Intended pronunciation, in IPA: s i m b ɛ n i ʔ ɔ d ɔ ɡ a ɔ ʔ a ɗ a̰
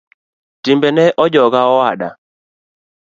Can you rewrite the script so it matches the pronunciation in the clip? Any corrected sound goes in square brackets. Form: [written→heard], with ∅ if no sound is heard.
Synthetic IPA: [s→t] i m b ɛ n [i→ɛ] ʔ ɔ [d→d͡ʒ] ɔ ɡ a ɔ [ʔ→∅] a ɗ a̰